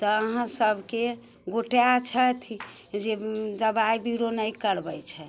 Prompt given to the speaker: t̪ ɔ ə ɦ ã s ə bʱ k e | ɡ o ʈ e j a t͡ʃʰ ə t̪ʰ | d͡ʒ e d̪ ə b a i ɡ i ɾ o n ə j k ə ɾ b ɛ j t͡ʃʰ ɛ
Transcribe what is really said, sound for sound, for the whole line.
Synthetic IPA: t̪ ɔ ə ɦ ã s ə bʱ k e | ɡ o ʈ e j a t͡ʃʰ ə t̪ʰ | d͡ʒ e d̪ ə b a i b i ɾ o n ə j k ə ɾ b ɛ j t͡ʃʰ ɛ